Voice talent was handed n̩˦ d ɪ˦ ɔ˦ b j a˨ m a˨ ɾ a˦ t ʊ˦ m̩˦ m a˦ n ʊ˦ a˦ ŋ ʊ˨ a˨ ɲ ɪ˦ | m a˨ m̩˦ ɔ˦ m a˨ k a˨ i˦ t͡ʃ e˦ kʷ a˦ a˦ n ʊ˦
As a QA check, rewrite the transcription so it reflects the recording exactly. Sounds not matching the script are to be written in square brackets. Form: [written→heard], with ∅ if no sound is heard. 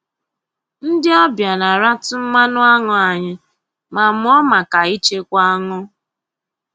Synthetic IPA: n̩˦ d ɪ˦ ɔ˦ b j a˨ [m→n] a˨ ɾ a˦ t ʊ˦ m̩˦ m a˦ n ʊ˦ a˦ ŋ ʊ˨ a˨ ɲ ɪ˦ | m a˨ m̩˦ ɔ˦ m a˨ k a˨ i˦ t͡ʃ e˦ kʷ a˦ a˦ [n→ŋ] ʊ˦